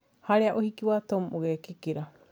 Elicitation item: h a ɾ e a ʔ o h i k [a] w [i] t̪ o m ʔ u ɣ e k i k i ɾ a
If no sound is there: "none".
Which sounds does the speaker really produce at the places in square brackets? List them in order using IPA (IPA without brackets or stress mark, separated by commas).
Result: i, a